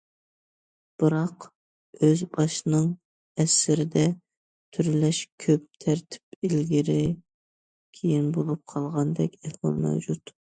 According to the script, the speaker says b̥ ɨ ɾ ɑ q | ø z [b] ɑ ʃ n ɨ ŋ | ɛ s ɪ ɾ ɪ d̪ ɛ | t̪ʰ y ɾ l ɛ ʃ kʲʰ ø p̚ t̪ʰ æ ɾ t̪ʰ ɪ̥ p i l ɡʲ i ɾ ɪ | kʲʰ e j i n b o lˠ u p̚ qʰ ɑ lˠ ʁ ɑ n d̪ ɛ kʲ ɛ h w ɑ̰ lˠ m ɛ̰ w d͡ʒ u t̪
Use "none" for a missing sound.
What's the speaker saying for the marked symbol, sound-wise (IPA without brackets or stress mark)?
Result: b